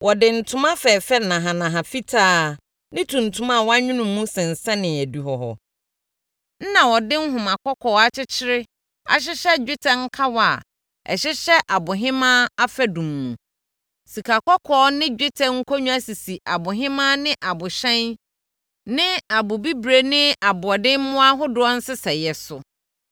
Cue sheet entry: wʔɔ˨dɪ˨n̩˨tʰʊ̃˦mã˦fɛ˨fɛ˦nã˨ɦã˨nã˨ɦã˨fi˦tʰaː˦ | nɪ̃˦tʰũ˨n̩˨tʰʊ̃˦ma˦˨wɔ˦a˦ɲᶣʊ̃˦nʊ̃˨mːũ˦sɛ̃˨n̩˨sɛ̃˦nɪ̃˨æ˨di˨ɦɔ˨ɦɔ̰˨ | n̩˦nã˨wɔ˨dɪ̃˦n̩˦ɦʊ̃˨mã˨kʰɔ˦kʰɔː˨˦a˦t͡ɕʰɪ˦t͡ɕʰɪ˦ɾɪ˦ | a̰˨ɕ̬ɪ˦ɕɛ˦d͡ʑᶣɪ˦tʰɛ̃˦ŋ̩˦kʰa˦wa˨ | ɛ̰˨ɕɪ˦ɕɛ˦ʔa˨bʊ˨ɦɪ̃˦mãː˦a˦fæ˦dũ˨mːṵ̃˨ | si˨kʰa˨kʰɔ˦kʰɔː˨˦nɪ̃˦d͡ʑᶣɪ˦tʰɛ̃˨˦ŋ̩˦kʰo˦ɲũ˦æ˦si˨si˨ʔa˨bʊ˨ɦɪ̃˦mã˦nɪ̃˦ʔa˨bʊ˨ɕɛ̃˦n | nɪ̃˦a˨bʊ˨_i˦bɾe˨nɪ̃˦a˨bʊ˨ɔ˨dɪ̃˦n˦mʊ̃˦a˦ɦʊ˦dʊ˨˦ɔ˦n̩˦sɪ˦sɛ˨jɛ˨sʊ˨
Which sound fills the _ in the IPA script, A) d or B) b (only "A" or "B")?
B